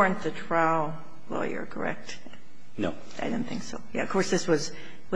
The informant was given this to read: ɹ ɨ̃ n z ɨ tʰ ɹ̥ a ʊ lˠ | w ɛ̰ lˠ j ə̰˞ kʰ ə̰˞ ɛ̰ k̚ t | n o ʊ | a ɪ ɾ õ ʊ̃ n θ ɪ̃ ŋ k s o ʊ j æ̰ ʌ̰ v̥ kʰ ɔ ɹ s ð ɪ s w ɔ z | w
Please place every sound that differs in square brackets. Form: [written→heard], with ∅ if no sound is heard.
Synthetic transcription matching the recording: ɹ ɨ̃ n [z→ð] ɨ tʰ ɹ̥ a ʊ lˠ | w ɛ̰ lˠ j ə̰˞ kʰ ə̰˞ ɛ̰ k̚ t | n o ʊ | a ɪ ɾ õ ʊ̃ n θ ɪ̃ ŋ k s o ʊ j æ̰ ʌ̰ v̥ kʰ ɔ ɹ s ð ɪ s w [ɔ→ʌ] z | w

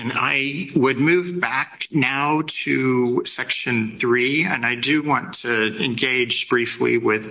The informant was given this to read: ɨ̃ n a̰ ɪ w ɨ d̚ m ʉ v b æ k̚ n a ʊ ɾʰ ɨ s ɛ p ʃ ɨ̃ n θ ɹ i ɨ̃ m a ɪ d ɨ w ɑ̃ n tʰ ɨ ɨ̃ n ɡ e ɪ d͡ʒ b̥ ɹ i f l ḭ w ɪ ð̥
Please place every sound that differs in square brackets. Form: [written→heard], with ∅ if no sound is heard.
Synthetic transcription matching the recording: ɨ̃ n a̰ ɪ w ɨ d̚ m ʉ v b æ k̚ n a ʊ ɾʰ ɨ s ɛ [p→k] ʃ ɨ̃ n θ ɹ i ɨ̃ [m→n] a ɪ d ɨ w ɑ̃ n tʰ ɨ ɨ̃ n ɡ e ɪ d͡ʒ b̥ ɹ i f l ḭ w ɪ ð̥

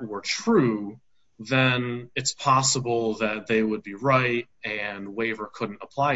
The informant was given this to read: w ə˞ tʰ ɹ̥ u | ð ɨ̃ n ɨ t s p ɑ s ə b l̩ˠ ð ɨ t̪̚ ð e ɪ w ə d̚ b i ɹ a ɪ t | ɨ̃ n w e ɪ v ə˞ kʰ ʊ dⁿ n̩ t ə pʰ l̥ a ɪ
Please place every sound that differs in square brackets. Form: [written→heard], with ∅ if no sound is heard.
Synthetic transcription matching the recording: w ə˞ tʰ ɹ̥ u | ð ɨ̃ n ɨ t s [p→pʰ] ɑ s ə b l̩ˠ ð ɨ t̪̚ ð e ɪ w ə d̚ b i ɹ a ɪ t | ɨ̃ n w e ɪ v ə˞ kʰ ʊ dⁿ n̩ t ə pʰ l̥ a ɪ

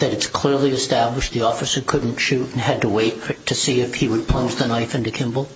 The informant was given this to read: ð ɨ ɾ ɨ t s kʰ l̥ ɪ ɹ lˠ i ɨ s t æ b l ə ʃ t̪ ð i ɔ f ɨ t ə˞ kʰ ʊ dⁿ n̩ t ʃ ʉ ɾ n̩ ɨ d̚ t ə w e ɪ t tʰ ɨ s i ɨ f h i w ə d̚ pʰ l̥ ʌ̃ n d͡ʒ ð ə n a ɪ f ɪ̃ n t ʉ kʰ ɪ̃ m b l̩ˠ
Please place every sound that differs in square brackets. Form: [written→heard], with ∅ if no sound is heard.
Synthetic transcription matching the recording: ð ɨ ɾ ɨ t s kʰ l̥ ɪ ɹ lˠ i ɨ s t æ b l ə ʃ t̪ ð i ɔ f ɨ [t→s] ə˞ kʰ ʊ dⁿ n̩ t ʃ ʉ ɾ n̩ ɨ d̚ t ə w e ɪ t tʰ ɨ s i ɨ f h i w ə d̚ pʰ l̥ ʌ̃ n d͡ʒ ð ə n a ɪ f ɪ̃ n t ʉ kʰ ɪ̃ m b l̩ˠ

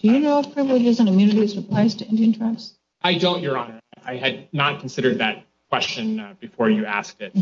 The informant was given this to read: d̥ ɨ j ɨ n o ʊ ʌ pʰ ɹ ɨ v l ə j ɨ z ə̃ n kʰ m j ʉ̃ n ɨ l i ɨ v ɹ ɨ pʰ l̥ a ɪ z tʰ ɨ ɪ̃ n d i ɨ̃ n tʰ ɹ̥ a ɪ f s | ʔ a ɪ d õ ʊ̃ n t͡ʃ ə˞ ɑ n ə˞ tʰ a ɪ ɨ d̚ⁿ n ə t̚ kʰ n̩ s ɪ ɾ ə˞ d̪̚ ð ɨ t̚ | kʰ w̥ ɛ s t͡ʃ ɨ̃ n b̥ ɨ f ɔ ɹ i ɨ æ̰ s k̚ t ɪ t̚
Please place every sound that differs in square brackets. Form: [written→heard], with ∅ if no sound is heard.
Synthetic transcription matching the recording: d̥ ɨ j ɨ n o ʊ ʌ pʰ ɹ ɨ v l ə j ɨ z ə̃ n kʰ m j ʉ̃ n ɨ [l→ɾ] i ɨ [v→z] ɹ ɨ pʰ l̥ a ɪ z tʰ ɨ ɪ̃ n d i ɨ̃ n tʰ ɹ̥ a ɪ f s | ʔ a ɪ d õ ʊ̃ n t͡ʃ ə˞ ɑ n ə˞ [tʰ→∅] a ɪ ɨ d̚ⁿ n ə t̚ kʰ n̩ s ɪ ɾ ə˞ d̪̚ ð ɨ t̚ | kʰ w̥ ɛ s t͡ʃ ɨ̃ n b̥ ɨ f ɔ ɹ [i→j] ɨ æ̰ s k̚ t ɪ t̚

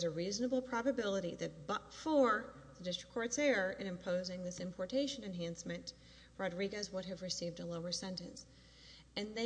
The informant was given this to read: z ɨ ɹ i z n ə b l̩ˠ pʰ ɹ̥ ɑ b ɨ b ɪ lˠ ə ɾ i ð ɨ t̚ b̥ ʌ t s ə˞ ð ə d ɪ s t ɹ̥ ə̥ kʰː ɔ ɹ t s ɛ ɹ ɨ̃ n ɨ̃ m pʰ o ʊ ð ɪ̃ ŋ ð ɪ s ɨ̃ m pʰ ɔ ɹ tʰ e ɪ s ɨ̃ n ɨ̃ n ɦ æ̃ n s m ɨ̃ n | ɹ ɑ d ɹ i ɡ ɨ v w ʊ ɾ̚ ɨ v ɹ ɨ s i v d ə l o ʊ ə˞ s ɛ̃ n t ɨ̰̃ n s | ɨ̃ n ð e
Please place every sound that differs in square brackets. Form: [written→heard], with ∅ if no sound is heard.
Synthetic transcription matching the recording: z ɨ ɹ i z n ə b l̩ˠ pʰ ɹ̥ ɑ b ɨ b ɪ lˠ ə ɾ i ð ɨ t̚ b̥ ʌ t [s→f] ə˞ ð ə d ɪ s t ɹ̥ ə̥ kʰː ɔ ɹ t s ɛ ɹ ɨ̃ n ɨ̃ m pʰ o ʊ [ð→z] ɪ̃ ŋ ð ɪ s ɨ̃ m pʰ ɔ ɹ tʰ e ɪ [s→ʃ] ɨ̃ n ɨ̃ n ɦ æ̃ n s m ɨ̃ n | ɹ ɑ d ɹ i ɡ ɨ [v→z] w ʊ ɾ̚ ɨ v ɹ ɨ s i v d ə l o ʊ ə˞ s ɛ̃ n t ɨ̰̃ n s | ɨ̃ n ð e

